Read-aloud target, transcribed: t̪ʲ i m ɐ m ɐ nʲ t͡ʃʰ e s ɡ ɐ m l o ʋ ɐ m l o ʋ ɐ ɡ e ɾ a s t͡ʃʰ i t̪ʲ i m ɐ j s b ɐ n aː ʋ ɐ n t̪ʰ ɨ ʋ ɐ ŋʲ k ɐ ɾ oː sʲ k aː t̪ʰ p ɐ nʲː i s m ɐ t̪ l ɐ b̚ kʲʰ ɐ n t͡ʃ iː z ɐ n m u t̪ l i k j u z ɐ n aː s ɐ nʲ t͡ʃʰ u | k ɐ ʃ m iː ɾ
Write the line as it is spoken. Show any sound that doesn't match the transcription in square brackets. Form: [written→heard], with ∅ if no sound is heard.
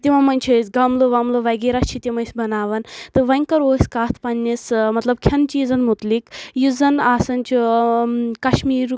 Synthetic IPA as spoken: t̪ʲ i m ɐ m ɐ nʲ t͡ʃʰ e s ɡ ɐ m l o ʋ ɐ m l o ʋ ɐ ɡ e ɾ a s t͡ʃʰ i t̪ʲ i m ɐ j s b ɐ n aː ʋ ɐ n [t̪ʰ→t̪] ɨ ʋ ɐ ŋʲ k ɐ ɾ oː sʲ k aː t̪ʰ p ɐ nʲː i s m ɐ t̪ l ɐ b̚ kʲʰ ɐ n t͡ʃ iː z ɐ n m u t̪ l i k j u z ɐ n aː s ɐ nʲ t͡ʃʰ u | k ɐ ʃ m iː ɾ